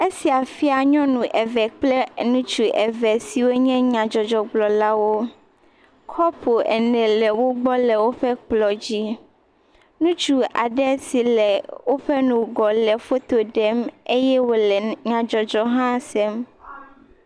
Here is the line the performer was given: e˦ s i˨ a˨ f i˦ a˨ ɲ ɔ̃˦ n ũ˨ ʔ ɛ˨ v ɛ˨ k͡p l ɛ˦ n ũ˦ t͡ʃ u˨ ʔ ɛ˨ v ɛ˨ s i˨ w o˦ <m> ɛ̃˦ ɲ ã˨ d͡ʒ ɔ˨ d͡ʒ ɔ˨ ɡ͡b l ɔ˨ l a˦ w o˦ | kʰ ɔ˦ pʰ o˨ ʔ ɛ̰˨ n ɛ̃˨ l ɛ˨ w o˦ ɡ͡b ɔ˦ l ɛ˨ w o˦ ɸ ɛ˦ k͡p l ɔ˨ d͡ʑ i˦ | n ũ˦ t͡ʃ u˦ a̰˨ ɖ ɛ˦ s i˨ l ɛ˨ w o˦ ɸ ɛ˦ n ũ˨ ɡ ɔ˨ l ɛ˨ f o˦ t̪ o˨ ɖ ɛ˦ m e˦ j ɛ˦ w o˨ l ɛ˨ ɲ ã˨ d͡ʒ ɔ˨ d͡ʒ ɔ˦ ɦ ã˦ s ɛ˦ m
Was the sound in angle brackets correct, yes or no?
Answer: no